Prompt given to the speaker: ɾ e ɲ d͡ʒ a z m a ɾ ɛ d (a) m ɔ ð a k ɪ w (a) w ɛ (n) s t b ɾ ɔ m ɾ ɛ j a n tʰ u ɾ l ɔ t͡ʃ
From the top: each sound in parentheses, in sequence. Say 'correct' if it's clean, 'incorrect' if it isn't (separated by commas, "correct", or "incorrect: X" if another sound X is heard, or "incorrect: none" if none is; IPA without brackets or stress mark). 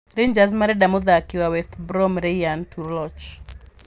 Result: correct, correct, incorrect: none